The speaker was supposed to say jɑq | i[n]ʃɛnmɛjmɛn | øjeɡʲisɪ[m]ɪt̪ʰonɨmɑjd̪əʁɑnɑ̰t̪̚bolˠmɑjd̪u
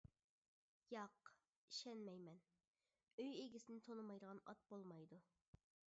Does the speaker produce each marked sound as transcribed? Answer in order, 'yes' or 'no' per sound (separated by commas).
no, no